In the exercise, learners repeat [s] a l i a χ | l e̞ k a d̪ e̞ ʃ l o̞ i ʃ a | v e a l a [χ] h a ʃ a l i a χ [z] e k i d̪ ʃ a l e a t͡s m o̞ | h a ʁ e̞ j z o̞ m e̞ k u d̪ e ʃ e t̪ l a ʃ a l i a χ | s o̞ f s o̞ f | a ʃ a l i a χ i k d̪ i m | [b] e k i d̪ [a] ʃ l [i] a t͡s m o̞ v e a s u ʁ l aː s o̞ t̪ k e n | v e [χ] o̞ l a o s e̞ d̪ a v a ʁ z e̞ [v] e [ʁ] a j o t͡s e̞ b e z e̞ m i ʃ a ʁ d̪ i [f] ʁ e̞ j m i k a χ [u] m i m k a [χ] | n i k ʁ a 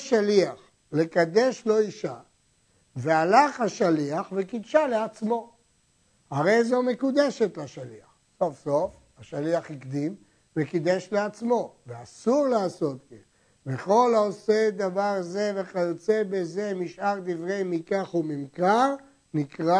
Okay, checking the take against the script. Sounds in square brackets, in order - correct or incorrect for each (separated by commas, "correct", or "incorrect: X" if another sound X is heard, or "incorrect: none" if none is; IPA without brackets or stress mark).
incorrect: ʃ, correct, incorrect: v, incorrect: v, incorrect: e, incorrect: e, correct, correct, incorrect: χ, incorrect: v, correct, incorrect: ʁ